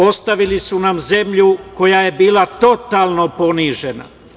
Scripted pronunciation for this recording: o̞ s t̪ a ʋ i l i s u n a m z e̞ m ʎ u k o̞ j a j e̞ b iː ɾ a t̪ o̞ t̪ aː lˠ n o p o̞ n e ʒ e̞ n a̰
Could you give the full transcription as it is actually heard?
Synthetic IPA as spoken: o̞ s t̪ a ʋ i l i s u n a m z e̞ m ʎ u k o̞ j a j e̞ b iː l a t̪ o̞ t̪ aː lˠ n o p o̞ n i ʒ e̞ n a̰

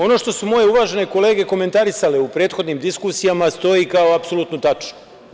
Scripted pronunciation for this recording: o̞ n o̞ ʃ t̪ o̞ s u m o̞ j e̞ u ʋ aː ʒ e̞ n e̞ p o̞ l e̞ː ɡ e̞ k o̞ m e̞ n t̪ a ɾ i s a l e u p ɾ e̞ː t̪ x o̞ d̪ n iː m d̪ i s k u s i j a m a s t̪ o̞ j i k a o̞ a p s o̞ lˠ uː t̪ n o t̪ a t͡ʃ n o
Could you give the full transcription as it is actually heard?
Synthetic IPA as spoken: o̞ n o̞ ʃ t̪ o̞ s u m o̞ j e̞ u ʋ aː ʒ e̞ n e̞ k o̞ l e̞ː ɡ e̞ k o̞ m e̞ n t̪ a ɾ i s a l e u p ɾ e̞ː t̪ x o̞ d̪ n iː m d̪ i s k u s i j a m a s t̪ o̞ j i k a o̞ a p s o̞ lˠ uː t̪ n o t̪ a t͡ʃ n o

